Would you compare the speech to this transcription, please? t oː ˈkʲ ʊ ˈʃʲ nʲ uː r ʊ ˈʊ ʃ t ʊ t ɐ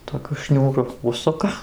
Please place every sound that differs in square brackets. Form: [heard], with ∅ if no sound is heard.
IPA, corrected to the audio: t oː ˈkʲ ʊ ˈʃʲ nʲ uː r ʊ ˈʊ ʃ [s] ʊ [k] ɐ